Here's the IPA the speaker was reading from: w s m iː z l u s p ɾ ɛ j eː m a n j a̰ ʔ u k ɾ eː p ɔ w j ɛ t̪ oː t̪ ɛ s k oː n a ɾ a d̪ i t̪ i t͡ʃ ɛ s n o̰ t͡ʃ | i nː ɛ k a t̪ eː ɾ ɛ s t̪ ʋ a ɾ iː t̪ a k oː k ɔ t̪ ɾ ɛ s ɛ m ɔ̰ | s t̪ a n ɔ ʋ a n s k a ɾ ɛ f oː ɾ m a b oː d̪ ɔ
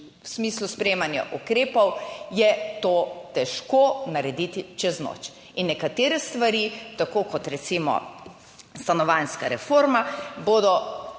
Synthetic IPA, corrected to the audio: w s m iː s l u s p ɾ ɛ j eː m a n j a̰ ʔ u k ɾ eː p ɔ w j ɛ t̪ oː t̪ ɛ ʃ k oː n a ɾ ɛ d̪ i t̪ i t͡ʃ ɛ z n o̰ t͡ʃ | i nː ɛ k a t̪ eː ɾ ɛ s t̪ ʋ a ɾ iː t̪ a k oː k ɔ t̪ ɾ ɛ s i m ɔ̰ | s t̪ a n ɔ ʋ a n s k a ɾ ɛ f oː ɾ m a b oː d̪ ɔ

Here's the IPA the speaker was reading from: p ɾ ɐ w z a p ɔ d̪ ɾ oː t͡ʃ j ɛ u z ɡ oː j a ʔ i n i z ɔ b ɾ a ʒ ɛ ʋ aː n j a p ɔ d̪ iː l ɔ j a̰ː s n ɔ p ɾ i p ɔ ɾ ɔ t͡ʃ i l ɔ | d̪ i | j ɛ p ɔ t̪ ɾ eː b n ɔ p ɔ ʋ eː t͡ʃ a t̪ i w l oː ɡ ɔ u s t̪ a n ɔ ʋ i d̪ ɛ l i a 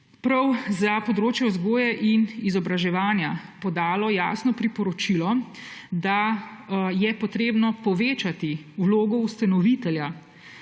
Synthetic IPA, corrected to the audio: p ɾ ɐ w z a p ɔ d̪ ɾ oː t͡ʃ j ɛ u z ɡ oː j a ʔ i n i z ɔ b ɾ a ʒ ɛ ʋ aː n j a p ɔ d̪ aː l ɔ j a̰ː s n ɔ p ɾ i p ɔ ɾ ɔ t͡ʃ i l ɔ | d̪ a | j ɛ p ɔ t̪ ɾ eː b n ɔ p ɔ ʋ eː t͡ʃ a t̪ i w l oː ɡ ɔ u s t̪ a n ɔ ʋ i t̪ ɛ l j a

